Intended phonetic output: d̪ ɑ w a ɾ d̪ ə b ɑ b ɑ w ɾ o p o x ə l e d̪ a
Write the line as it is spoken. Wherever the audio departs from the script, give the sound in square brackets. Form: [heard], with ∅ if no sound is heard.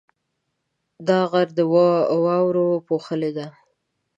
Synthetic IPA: d̪ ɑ [ɣ] a ɾ d̪ ə [w] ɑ [w] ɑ w ɾ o p o x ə l e d̪ a